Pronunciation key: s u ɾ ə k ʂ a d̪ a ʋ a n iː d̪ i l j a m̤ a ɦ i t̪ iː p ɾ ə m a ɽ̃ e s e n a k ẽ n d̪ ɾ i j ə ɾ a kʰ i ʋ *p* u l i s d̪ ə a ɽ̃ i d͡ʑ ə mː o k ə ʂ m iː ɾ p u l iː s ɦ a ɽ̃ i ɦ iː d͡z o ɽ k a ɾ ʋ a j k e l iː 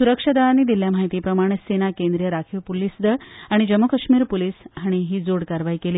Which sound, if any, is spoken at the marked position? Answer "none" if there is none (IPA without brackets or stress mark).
p